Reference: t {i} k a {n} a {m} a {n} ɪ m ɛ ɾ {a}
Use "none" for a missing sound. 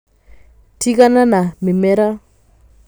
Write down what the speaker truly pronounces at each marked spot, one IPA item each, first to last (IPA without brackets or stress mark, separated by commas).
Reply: i, n, n, m, a